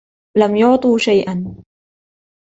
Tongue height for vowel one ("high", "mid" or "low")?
low